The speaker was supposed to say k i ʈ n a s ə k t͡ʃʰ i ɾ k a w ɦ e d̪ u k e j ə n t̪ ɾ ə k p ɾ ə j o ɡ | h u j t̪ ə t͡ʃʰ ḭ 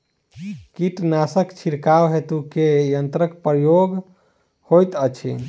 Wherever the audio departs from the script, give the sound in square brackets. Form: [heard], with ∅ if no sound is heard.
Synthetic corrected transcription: k i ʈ n a s ə k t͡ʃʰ i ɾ k a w ɦ e [t̪] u k e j ə n t̪ ɾ ə k p ɾ ə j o ɡ | h [o] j t̪ ə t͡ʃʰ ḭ